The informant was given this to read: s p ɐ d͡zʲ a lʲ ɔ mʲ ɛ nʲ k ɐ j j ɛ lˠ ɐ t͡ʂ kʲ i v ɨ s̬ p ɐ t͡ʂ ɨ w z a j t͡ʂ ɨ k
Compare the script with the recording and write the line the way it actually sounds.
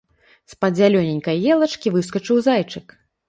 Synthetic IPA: s p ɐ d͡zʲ a lʲ ɔ nʲ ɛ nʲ k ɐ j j ɛ lˠ ɐ t͡ʂ kʲ i v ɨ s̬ k ɐ t͡ʂ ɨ w z a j t͡ʂ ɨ k